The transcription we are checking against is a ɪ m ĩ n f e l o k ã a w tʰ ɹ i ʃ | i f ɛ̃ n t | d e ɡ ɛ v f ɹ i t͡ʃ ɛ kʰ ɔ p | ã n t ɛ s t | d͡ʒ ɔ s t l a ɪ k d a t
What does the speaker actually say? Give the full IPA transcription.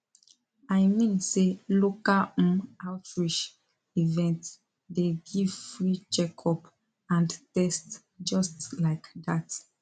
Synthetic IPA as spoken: a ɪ m ĩ n s e l o k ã a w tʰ ɹ i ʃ | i v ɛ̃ n t | d e ɡ i v f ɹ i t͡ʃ ɛ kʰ ɔ p | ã n t ɛ s t | d͡ʒ ɔ s t l a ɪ k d a t

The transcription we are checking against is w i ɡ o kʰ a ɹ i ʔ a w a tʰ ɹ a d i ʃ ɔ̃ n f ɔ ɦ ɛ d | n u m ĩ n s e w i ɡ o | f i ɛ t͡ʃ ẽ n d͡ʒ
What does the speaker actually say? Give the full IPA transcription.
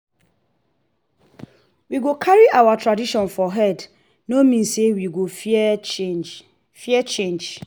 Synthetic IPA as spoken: w i ɡ o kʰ a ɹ i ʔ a w a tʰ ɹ a d i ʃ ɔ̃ n f ɔ ɦ ɛ d | n o m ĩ n s e w i ɡ o | f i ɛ t͡ʃ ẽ n d͡ʒ

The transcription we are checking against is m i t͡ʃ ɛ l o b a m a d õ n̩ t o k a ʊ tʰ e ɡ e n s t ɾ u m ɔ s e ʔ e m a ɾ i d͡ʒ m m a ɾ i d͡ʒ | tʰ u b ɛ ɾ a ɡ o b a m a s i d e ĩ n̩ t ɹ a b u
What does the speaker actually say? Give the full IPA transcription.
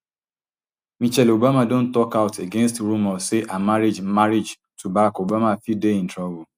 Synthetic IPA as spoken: m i t͡ʃ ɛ l o b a m a d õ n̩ t ɔ k a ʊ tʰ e ɡ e n s t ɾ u m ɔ s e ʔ a m a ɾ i d͡ʒ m m a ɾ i d͡ʒ | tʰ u b a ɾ a k o b a m a f i d e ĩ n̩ t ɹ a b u

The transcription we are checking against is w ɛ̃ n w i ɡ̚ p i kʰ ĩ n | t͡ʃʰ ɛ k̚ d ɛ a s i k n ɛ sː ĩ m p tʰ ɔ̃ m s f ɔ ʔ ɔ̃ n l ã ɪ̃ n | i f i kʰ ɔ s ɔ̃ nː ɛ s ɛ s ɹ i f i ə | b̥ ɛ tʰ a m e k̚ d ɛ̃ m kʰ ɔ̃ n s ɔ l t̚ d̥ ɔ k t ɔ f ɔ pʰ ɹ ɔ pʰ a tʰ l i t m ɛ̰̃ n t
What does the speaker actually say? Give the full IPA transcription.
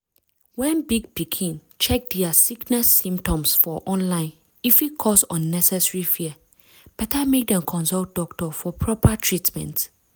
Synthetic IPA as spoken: w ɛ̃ n b i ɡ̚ p i kʰ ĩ n | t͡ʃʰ ɛ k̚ d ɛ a s i k n ɛ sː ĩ m p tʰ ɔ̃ m s f ɔ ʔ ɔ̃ n l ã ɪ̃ n | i f i kʰ ɔ s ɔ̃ nː ɛ s ɛ s ɹ i f i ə | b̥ ɛ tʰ a m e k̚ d ɛ̃ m kʰ ɔ̃ n s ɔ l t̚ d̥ ɔ k t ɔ f ɔ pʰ ɹ ɔ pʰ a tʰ ɹ i t m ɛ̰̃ n t

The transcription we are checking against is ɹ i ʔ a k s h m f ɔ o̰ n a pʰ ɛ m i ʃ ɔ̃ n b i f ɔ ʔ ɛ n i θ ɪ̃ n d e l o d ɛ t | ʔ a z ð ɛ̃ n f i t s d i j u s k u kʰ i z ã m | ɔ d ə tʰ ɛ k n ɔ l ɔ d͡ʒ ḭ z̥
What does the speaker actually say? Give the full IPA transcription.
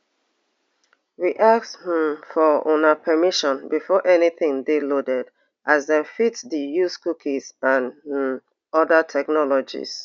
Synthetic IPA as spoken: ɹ i ʔ a k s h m f ɔ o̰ n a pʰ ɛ m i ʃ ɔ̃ n b i f ɔ ʔ ɛ n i θ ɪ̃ ŋ d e l o d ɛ d | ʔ a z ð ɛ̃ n f i t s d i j u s k u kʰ i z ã n | ɔ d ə tʰ ɛ k n ɔ l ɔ d͡ʒ ḭ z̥

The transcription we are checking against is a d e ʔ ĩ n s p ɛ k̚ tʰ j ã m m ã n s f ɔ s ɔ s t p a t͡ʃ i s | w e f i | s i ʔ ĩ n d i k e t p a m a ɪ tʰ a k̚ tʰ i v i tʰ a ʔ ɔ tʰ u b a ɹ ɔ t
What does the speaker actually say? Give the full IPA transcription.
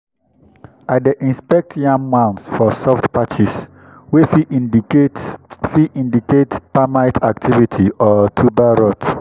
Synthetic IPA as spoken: a d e ʔ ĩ n s p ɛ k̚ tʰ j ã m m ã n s f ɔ s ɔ f t p a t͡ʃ i s | w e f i | f i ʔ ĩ n d i k e t p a m a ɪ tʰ a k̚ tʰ i v i tʰ i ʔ ɔ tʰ u b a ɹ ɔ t

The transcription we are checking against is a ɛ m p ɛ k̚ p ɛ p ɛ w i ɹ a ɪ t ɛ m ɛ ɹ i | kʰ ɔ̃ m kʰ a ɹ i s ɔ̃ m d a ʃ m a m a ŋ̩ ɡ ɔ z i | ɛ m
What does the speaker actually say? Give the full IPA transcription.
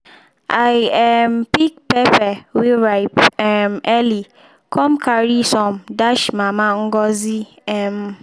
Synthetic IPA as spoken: a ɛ m p i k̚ p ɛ p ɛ w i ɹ a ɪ p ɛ m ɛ l i | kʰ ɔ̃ m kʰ a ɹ i s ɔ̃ m d a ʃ m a m a ŋ̩ ɡ ɔ z i | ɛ m

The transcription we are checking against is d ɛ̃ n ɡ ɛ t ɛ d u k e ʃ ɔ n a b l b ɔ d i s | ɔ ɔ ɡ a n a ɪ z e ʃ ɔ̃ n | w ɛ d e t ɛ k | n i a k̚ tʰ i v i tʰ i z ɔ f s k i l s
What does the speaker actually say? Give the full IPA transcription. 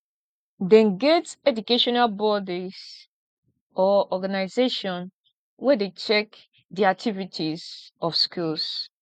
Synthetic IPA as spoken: d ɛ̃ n ɡ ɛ t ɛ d u k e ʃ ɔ n a l b ɔ d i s | ɔ ɔ ɡ a n a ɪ z e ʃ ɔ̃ n | w ɛ d e t͡ʃ ɛ k | d i a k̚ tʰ i v i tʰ i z ɔ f s k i l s

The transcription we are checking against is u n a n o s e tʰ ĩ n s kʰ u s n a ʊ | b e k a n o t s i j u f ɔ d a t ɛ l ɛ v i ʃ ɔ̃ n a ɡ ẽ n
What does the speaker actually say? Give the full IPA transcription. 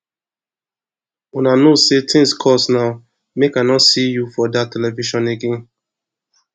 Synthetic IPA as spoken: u n a n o s e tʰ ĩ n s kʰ ɔ s n a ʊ | m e k a n ɔ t s i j u f ɔ d a t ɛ l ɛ v i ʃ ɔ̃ n e ɡ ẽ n

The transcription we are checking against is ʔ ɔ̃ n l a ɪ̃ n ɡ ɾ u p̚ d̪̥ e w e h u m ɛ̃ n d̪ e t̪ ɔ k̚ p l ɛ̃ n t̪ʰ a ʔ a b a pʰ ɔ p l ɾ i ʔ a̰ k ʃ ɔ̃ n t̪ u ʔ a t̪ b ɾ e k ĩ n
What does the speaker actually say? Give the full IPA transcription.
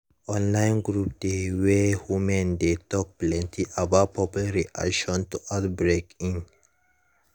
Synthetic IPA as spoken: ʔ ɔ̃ n l a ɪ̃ n ɡ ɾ u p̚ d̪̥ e w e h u m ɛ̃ n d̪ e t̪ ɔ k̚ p l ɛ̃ n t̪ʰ i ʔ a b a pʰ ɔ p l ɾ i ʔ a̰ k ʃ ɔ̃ n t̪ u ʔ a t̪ b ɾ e k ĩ n

